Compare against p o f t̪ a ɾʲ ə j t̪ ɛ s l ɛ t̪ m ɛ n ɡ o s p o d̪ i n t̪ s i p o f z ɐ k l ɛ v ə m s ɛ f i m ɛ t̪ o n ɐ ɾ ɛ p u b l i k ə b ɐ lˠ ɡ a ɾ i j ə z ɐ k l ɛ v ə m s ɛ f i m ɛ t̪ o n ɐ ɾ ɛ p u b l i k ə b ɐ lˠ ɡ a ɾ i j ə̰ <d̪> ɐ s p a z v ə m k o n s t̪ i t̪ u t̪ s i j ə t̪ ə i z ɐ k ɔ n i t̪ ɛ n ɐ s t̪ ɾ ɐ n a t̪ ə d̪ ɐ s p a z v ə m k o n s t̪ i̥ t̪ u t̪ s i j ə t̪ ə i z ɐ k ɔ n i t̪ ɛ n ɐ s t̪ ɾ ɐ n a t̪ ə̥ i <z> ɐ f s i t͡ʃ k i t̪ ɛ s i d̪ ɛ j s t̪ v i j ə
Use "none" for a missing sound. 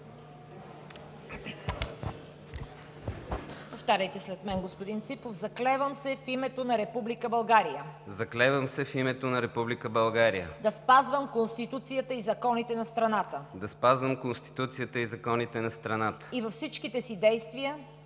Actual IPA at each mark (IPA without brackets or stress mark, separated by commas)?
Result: d̪, v